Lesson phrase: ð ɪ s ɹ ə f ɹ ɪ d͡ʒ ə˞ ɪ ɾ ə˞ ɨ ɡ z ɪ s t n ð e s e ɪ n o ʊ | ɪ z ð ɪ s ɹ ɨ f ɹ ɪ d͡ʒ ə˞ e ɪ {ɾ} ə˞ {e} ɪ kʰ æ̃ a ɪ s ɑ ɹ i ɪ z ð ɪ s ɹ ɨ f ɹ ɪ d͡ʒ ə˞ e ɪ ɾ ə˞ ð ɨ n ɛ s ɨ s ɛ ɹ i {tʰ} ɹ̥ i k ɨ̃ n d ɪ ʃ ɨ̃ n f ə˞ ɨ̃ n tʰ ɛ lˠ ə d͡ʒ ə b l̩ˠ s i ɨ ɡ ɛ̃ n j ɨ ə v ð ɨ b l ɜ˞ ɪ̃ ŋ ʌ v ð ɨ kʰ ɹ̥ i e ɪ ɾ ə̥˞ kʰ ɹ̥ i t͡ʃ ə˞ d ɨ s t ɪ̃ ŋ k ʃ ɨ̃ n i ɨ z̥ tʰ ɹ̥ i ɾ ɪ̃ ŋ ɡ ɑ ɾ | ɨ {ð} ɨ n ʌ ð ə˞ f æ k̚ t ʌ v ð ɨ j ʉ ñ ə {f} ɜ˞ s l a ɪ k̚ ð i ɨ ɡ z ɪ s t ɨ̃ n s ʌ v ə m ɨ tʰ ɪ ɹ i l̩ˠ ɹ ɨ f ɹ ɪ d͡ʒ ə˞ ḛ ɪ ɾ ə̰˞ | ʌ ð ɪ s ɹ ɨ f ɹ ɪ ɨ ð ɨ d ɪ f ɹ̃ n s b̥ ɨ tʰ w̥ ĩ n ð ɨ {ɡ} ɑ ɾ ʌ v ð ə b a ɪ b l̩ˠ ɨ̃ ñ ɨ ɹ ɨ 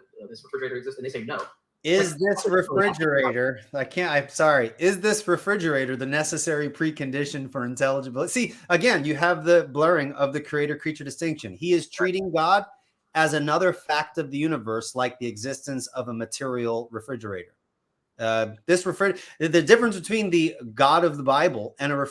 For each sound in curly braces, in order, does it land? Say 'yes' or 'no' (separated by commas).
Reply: yes, no, no, no, no, yes